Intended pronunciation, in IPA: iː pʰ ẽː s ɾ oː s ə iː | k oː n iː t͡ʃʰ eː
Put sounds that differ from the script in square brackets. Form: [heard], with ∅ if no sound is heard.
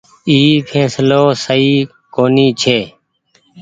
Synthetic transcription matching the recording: iː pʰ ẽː s [l] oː s ə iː | k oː n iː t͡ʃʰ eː